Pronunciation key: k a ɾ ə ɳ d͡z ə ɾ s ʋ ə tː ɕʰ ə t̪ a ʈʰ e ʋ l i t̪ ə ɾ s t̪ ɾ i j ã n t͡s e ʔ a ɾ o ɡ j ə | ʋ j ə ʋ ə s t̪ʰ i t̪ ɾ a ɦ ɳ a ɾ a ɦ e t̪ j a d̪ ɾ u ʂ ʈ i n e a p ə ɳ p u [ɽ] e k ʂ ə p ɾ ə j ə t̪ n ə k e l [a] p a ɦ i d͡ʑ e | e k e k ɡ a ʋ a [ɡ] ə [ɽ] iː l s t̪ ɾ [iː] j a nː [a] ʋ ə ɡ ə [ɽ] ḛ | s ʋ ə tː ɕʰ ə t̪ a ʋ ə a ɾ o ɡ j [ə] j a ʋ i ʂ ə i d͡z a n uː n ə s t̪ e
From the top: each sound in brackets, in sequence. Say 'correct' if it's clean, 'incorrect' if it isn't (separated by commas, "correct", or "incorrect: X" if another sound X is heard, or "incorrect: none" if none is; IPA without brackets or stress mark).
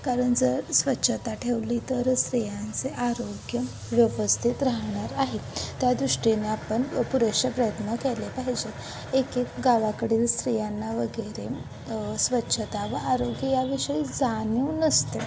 incorrect: ɾ, incorrect: e, incorrect: k, correct, incorrect: i, correct, incorrect: ɾ, correct